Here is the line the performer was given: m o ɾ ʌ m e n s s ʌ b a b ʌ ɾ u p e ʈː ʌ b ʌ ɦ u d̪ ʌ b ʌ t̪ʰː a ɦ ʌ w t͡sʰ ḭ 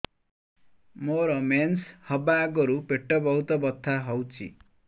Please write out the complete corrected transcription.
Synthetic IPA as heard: m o ɾ ʌ m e n s h ʌ b a ɡ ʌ ɾ u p e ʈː ʌ b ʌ ɦ u t̪ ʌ b ʌ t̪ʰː a ɦ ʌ w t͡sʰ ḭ